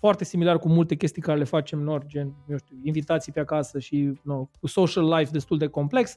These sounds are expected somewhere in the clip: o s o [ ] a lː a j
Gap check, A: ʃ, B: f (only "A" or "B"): A